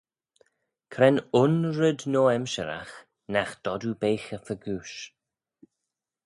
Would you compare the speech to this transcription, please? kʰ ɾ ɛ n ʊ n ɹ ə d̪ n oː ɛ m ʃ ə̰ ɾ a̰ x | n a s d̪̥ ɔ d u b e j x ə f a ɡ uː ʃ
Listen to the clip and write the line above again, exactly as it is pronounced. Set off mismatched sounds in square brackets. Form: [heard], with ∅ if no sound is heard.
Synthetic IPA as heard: kʰ ɾ ɛ n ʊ n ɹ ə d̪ n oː ɛ m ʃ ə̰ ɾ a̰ x | n a [x] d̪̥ ɔ d u b e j x ə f [ə] ɡ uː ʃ